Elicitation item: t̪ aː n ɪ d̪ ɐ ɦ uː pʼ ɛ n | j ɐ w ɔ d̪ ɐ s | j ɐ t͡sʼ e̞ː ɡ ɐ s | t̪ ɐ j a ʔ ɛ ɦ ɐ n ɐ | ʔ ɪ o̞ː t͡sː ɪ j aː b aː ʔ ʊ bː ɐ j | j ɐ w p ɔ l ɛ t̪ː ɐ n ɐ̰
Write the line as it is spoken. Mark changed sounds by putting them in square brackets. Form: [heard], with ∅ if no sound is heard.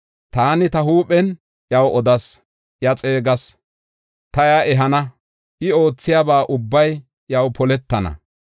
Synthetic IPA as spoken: t̪ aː n ɪ [t̪] ɐ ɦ uː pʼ ɛ n | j ɐ w ɔ d̪ ɐ s | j ɐ t͡sʼ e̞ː ɡ ɐ s | t̪ ɐ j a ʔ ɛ ɦ ɐ n ɐ | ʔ ɪ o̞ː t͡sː ɪ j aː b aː ʔ ʊ bː ɐ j | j ɐ w p ɔ l ɛ t̪ː ɐ n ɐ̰